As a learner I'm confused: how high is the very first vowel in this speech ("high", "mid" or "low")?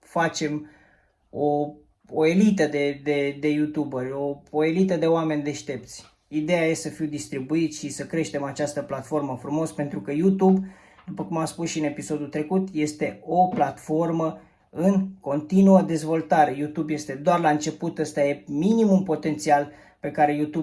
low